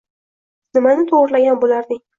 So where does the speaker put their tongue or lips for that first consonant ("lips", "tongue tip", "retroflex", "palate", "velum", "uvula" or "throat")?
tongue tip